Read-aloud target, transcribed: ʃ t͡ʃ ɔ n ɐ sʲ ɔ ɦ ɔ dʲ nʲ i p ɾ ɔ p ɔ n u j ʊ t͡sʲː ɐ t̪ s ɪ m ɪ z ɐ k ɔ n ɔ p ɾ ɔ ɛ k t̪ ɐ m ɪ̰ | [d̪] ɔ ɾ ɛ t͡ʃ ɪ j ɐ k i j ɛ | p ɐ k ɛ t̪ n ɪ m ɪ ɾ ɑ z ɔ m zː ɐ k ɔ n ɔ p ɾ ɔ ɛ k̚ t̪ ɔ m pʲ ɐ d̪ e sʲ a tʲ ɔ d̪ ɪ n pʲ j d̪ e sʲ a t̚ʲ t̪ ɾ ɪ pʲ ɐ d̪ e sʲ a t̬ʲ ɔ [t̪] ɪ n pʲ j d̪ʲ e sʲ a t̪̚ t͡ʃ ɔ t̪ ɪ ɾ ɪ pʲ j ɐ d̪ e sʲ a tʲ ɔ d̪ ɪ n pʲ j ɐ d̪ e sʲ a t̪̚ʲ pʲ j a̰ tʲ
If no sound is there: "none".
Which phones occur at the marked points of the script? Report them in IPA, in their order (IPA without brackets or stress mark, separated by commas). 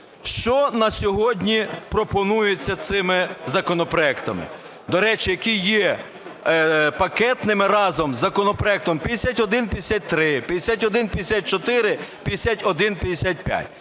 d̪, d̪